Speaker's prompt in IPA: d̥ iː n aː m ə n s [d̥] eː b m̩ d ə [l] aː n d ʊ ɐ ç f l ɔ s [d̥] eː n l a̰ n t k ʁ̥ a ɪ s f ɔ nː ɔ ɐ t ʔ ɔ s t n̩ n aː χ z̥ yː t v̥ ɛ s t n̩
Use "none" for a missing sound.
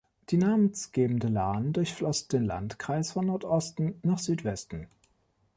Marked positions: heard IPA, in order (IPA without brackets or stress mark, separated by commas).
ɡ̥, l, d̥